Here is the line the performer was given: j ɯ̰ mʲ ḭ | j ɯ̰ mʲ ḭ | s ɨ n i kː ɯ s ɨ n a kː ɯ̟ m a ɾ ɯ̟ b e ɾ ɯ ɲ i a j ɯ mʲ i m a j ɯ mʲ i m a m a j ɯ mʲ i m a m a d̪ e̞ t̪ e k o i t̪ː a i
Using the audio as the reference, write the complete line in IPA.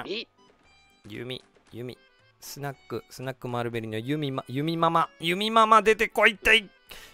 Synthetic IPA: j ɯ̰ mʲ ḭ | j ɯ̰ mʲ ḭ | s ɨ n a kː ɯ s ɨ n a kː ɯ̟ m a ɾ ɯ̟ b e ɾ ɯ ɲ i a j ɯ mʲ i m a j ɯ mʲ i m a m a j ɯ mʲ i m a m a d̪ e̞ t̪ e k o i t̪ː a i